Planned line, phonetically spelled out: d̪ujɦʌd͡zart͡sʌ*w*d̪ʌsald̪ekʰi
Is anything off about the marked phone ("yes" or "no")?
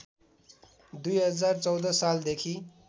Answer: no